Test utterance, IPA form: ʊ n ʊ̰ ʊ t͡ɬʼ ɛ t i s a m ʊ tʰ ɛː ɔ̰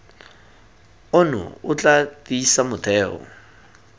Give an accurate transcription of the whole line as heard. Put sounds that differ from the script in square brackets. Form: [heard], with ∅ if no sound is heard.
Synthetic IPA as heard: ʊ n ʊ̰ ʊ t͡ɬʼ [a] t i s a m ʊ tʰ ɛː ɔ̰